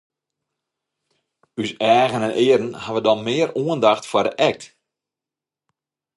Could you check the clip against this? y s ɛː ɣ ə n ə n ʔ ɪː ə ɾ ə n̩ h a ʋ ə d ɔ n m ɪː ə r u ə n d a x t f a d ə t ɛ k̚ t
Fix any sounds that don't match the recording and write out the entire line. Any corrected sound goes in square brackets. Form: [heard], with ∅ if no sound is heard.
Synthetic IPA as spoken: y s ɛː ɣ ə n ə n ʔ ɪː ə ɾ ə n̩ h a ʋ ə d ɔ n m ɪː ə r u ə n d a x t f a d ə [ʔ] ɛ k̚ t